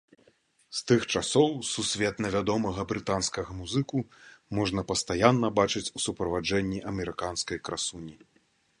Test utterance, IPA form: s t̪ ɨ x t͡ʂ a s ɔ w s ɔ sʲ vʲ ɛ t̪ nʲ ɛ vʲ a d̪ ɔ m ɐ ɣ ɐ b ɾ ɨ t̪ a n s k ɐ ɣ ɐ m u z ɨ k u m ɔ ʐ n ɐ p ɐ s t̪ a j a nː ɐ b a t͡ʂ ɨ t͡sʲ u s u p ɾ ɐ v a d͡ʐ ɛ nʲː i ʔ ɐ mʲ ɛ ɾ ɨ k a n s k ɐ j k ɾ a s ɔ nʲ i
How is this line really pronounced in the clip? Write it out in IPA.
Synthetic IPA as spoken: s t̪ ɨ x t͡ʂ a s ɔ w s u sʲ vʲ ɛ t̪ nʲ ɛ vʲ a d̪ ɔ m ɐ ɣ ɐ b ɾ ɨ t̪ a n s k ɐ ɣ ɐ m u z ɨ k u m ɔ ʐ n ɐ p ɐ s t̪ a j a nː ɐ b a t͡ʂ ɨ t͡sʲ u s u p ɾ ɐ v a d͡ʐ ɛ nʲː i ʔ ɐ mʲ ɛ ɾ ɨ k a n s k ɐ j k ɾ a s u nʲ i